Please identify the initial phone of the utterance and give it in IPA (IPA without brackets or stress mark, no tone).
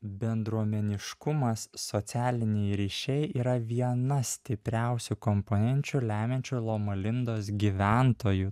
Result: bʲ